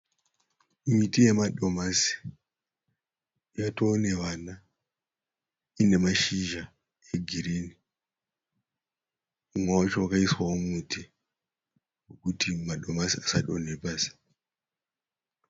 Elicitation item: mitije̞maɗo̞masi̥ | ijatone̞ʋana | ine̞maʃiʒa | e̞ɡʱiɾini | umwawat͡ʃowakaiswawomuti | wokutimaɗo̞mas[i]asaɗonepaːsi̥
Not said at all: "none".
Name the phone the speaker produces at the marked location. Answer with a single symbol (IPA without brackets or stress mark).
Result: i